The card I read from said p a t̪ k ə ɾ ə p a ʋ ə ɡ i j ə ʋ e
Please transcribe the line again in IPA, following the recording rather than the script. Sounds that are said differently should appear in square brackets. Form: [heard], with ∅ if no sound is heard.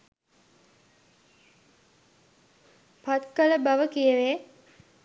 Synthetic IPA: p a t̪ k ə [l] ə [b] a ʋ ə [k] i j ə ʋ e